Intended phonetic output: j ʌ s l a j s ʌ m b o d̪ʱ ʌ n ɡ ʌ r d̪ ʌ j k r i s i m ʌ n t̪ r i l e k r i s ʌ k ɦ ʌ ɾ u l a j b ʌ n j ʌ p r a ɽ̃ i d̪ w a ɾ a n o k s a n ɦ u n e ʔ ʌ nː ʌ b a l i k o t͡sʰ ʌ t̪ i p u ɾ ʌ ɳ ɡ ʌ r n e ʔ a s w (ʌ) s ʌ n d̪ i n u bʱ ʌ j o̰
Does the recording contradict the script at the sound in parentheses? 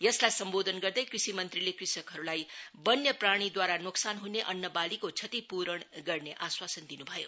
yes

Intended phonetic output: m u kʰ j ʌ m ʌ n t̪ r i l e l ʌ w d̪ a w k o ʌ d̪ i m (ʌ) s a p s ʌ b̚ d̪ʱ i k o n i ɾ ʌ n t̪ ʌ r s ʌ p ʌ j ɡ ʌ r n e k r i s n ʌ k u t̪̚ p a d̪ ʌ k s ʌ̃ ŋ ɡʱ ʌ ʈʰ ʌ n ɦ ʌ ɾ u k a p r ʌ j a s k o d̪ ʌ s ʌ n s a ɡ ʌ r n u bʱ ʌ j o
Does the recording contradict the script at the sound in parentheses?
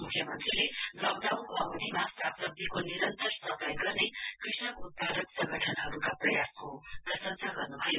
yes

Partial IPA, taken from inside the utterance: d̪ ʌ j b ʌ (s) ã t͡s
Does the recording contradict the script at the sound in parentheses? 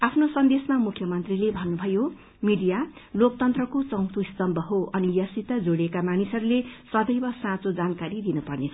no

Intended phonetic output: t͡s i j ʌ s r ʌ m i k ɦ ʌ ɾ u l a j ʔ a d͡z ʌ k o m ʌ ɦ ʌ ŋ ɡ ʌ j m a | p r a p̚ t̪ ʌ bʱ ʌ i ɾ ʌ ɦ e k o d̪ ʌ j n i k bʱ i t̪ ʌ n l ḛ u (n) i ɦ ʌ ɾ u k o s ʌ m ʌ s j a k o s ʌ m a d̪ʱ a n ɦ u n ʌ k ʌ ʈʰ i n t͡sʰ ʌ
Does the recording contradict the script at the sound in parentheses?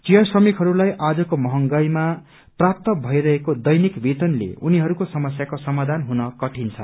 no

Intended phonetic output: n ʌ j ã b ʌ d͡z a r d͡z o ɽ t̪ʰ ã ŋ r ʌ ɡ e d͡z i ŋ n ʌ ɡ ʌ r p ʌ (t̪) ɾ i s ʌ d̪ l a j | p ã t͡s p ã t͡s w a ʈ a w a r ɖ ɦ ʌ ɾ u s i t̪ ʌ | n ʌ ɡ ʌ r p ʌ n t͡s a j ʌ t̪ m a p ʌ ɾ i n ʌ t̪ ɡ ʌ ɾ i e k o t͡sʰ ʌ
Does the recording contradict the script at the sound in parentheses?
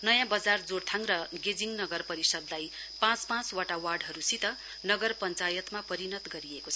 yes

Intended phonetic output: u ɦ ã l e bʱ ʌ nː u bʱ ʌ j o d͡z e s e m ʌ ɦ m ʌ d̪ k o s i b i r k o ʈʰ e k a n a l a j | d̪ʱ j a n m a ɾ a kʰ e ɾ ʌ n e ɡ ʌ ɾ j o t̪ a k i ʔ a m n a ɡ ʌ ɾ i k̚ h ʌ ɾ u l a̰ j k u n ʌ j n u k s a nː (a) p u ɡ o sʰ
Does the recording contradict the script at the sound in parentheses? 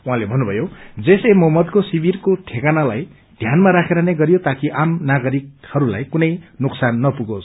yes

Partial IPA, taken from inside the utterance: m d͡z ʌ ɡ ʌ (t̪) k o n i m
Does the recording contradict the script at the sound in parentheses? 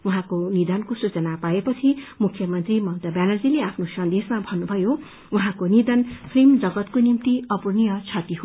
no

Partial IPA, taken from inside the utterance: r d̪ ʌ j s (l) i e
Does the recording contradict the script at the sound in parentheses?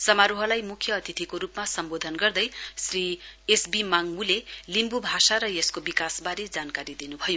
yes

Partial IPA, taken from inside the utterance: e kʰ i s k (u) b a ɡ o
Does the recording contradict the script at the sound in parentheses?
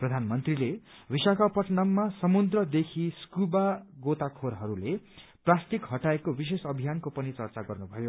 no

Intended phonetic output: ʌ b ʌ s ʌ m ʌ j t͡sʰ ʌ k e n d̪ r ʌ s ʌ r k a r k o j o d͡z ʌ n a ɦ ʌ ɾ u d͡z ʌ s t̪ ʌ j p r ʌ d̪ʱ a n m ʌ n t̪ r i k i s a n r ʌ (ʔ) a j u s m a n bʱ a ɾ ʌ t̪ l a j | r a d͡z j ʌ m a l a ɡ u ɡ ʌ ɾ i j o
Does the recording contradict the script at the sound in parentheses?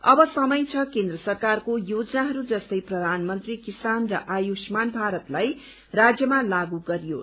no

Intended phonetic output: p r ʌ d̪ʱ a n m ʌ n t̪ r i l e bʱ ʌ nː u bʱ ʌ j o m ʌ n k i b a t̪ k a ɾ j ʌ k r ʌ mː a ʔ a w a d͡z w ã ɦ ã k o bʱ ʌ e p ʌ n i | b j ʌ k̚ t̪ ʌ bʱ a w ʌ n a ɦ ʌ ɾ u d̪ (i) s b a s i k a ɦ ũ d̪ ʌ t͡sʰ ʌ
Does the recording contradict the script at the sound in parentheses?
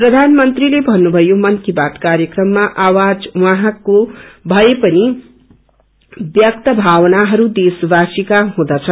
yes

